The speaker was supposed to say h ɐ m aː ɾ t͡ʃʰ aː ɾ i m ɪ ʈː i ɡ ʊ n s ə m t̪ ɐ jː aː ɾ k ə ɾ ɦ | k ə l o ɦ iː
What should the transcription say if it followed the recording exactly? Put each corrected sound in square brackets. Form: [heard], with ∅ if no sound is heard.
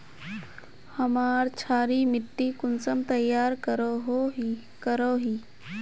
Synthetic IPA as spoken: h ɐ m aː ɾ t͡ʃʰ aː ɾ i m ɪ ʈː i [k] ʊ n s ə m t̪ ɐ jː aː ɾ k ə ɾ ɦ | k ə [ɾ] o ɦ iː